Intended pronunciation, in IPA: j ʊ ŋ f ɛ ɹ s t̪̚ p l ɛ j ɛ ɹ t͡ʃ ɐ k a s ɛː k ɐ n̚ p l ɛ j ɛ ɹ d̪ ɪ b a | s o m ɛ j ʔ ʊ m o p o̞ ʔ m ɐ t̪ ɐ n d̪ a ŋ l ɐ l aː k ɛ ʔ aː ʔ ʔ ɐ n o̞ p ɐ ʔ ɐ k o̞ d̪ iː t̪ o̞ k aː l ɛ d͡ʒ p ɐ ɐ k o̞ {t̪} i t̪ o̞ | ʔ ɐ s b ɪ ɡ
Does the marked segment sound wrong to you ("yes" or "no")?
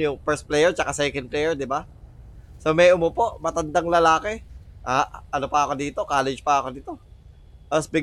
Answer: yes